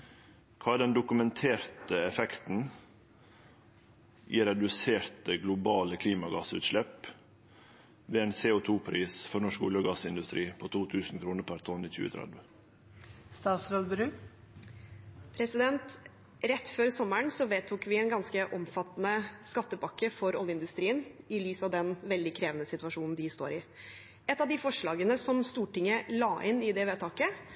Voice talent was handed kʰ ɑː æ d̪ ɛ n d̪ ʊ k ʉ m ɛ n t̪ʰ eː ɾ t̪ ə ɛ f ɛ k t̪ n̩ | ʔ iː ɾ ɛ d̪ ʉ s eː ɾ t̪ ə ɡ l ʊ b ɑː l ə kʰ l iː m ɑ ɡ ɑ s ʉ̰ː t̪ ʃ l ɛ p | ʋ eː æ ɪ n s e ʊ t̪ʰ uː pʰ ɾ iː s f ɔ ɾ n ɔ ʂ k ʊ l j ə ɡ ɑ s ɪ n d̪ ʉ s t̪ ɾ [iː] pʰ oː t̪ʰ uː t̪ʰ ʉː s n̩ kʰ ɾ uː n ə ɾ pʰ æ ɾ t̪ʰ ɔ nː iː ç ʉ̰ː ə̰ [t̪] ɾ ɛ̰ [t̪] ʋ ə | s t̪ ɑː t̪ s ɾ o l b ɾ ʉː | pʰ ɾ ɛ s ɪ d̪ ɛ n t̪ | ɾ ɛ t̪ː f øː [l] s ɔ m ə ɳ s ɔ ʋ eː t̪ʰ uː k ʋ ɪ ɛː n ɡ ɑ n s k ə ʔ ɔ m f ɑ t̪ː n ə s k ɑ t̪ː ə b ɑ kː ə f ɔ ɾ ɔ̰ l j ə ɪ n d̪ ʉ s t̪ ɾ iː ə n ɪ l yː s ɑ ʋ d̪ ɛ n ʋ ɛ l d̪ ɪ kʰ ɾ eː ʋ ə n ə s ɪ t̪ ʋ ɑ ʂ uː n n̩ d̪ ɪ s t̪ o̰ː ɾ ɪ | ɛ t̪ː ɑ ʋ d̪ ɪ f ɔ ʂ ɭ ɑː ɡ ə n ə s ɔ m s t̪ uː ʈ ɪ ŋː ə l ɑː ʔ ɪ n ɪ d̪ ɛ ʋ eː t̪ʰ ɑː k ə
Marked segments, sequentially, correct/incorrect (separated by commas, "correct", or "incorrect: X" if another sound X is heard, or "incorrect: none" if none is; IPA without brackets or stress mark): correct, incorrect: t̪ʰ, incorrect: d̪, incorrect: ɾ